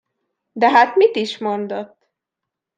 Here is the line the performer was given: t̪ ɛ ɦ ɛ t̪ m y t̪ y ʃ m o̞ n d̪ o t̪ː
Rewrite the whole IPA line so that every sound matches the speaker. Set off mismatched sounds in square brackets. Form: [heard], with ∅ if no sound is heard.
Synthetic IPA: [d̪] ɛ ɦ [a] t̪ m [i] t̪ [i] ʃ m o̞ n d̪ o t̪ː